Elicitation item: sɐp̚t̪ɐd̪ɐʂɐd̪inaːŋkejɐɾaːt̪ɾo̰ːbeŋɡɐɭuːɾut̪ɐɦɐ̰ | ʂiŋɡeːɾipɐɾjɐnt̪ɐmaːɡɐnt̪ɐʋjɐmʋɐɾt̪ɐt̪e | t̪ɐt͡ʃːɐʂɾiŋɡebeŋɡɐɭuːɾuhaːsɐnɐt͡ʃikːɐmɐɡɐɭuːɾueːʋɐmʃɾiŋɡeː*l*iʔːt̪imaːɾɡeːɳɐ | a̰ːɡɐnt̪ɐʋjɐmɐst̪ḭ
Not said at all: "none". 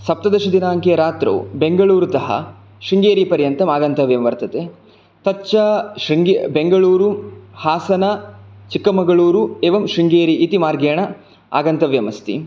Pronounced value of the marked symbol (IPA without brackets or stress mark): ɾ